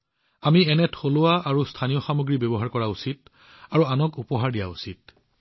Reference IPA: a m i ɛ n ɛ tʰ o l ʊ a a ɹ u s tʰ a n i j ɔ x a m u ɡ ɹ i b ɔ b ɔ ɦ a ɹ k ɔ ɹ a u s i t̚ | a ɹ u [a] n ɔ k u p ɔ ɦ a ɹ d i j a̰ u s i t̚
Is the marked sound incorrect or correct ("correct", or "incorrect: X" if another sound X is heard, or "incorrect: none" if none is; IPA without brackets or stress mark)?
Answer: correct